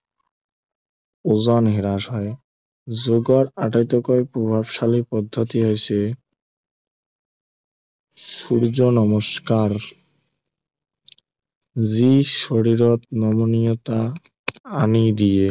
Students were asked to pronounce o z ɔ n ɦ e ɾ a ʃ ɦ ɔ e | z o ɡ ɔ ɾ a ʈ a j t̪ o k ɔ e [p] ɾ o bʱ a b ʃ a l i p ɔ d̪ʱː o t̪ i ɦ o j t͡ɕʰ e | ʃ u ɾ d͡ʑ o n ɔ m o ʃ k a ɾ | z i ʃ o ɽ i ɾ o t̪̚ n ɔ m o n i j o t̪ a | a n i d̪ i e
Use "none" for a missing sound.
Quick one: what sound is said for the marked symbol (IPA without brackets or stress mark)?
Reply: p